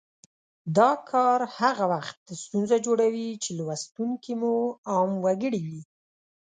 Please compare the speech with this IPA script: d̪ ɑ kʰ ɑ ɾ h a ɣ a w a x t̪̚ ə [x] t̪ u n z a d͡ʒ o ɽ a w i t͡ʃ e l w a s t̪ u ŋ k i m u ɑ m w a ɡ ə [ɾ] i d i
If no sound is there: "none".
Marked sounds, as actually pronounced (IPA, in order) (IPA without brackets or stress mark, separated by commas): s, ɽ